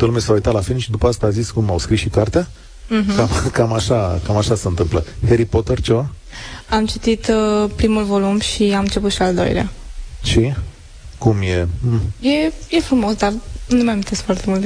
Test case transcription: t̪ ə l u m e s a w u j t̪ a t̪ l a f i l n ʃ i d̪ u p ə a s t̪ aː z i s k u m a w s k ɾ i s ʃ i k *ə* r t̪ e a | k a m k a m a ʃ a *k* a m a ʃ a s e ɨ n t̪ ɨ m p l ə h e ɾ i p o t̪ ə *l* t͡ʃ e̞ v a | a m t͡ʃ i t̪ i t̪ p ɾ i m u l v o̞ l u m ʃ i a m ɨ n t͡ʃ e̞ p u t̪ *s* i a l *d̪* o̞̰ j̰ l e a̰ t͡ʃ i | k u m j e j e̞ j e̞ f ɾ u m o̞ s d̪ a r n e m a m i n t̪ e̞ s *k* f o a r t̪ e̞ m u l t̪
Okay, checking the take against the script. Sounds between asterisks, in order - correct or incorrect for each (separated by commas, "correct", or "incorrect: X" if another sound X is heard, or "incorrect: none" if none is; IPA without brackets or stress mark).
incorrect: a, correct, incorrect: r, incorrect: ʃ, correct, correct